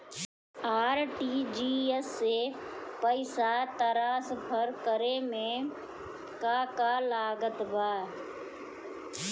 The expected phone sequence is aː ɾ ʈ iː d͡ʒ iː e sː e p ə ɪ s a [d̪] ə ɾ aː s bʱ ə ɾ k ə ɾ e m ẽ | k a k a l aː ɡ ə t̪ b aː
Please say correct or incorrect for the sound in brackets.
incorrect